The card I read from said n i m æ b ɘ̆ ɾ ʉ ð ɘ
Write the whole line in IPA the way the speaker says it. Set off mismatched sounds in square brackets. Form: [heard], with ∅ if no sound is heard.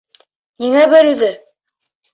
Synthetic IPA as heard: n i [ŋ] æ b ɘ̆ ɾ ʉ ð ɘ